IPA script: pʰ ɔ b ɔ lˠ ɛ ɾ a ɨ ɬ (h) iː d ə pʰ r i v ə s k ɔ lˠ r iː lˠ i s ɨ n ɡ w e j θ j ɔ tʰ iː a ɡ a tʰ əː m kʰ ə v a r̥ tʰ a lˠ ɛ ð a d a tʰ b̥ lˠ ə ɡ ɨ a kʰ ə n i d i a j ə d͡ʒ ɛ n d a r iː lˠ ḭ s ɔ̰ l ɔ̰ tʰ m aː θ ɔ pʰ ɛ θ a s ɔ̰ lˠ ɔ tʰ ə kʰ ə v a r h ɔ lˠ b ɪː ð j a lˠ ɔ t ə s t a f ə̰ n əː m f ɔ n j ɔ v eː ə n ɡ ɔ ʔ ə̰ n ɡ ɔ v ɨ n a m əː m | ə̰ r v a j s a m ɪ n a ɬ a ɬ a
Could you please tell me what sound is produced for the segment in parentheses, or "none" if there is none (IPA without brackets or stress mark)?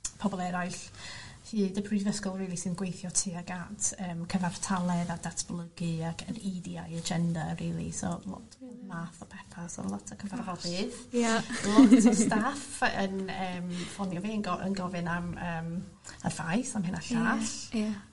h